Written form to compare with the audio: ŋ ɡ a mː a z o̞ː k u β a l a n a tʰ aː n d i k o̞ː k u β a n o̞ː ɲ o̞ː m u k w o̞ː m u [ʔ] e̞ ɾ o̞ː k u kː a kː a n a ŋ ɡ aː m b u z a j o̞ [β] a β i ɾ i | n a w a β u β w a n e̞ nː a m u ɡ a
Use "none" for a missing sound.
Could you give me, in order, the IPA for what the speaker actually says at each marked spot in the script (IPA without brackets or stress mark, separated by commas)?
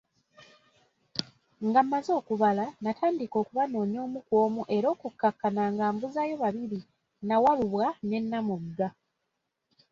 ʔ, β